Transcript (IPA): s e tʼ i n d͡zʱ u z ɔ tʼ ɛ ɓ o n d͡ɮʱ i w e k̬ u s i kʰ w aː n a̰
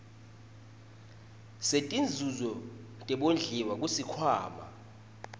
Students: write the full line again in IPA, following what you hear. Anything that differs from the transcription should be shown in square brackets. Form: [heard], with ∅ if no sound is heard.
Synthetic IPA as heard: s e tʼ i n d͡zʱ u z ɔ tʼ ɛ ɓ o n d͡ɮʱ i w [a] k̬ u s i kʰ w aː [m] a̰